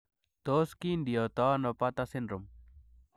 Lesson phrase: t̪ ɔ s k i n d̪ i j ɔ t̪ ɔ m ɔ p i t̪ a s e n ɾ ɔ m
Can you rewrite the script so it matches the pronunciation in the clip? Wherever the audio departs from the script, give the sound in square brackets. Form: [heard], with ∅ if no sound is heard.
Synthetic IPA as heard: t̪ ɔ s k i n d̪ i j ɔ t̪ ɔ [n] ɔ p [a] t̪ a s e n ɾ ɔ m